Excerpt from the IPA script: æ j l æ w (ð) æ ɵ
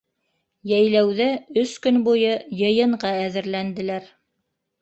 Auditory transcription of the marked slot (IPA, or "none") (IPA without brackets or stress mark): ð